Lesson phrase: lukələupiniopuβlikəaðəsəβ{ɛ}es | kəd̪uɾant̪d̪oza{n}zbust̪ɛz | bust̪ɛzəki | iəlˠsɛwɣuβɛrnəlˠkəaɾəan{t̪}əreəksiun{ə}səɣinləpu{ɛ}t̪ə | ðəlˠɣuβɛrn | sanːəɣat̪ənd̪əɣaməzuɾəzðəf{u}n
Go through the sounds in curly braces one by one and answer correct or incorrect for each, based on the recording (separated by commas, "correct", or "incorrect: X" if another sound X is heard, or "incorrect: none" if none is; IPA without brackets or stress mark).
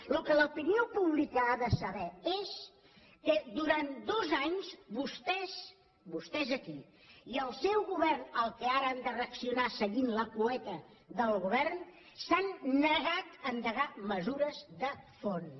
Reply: correct, incorrect: ɲ, incorrect: d̪, incorrect: a, correct, incorrect: o